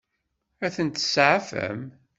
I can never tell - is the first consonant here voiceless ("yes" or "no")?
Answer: yes